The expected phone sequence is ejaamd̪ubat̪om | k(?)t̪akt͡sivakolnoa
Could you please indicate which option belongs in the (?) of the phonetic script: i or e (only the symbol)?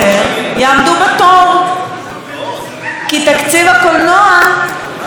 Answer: i